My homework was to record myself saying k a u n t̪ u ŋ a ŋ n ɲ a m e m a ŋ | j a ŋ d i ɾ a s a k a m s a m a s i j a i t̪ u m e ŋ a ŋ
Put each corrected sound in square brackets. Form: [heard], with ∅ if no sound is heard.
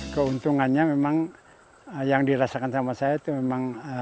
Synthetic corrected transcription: k [ə] u n t̪ u ŋ a [∅] n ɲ a m e m a ŋ | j a ŋ d i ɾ a s a k a [n] s a m a s [a] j a i t̪ u m e [m] a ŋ